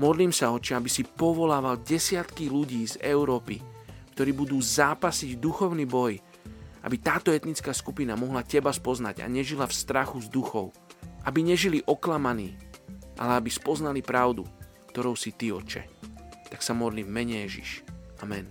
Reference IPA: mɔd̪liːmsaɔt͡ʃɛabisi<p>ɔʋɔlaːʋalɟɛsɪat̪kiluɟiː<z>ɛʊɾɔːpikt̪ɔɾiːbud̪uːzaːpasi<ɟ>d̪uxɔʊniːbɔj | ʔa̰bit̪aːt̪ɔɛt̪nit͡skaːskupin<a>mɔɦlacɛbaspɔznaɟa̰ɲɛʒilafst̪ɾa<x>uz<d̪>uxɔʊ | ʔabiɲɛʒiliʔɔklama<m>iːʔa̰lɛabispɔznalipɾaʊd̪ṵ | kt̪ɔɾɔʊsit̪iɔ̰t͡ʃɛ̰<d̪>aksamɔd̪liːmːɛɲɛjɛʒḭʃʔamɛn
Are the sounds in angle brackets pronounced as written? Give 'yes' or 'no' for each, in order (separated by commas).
yes, yes, yes, yes, yes, yes, no, no